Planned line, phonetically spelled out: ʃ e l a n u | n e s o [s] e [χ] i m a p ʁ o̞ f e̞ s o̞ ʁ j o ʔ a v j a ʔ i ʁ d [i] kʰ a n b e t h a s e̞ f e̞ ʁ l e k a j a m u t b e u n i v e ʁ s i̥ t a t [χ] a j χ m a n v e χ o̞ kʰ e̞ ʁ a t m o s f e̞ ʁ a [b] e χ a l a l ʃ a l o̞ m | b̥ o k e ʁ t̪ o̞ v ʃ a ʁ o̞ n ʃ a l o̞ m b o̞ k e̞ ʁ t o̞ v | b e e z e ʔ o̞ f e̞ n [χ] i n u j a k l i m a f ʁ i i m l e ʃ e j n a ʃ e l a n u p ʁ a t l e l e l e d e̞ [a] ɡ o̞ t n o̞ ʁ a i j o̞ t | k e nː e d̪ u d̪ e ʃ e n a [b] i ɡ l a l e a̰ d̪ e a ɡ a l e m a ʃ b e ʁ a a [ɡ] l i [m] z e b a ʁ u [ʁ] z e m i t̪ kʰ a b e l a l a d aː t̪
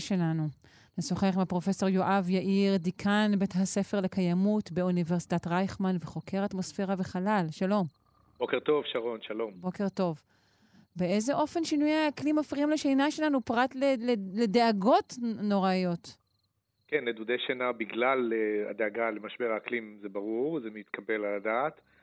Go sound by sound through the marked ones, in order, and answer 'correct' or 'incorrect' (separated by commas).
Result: incorrect, correct, correct, incorrect, incorrect, incorrect, correct, correct, incorrect, correct, correct